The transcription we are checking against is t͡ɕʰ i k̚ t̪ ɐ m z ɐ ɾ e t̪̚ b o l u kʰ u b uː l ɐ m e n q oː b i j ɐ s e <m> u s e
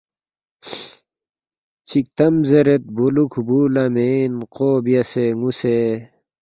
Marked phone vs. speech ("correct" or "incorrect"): incorrect